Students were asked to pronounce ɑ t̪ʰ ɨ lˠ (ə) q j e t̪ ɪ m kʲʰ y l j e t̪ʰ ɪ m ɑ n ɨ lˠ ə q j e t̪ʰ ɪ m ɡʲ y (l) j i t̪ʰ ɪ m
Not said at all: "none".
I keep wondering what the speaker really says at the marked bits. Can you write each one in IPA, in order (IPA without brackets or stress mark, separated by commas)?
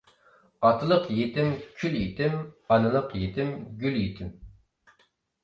ə, l